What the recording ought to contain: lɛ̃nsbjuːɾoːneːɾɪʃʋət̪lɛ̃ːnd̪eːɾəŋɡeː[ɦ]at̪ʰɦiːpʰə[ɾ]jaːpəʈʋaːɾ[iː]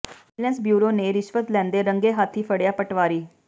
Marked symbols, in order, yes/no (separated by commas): yes, no, yes